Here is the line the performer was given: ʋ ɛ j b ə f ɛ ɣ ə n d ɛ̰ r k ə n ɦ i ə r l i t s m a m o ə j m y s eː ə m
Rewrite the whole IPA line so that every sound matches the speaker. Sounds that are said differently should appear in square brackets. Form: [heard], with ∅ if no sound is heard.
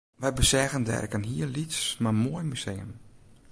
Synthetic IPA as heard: ʋ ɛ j b ə [s] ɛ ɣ ə n d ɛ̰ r k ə n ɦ i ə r l i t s m a m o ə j m y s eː ə m